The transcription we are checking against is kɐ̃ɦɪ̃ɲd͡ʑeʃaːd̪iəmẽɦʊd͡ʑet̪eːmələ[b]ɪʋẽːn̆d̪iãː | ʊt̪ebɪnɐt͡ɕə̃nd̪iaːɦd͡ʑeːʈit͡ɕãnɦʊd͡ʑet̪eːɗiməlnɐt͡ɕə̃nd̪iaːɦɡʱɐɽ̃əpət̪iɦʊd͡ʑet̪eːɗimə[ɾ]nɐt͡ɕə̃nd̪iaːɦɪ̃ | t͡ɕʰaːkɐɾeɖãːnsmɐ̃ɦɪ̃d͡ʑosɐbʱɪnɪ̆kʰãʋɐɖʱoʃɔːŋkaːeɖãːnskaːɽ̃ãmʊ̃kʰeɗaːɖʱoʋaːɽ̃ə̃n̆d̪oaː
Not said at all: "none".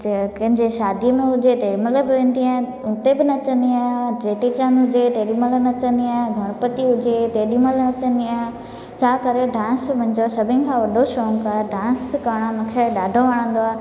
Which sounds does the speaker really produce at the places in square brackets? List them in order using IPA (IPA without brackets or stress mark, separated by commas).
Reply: b, l